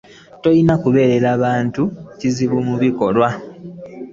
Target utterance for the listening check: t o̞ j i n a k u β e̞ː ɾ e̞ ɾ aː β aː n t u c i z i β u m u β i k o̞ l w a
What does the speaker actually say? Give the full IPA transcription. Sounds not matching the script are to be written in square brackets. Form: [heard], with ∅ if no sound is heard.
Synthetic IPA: t o̞ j i n a k u β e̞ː ɾ e̞ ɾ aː β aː n t u c i z i β u m u β i k o̞ l w a